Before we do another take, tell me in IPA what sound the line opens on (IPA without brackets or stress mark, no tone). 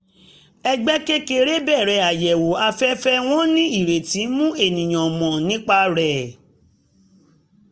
ɛ